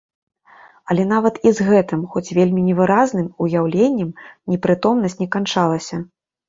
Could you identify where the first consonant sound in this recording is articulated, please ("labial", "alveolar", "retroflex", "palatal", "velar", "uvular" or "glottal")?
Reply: alveolar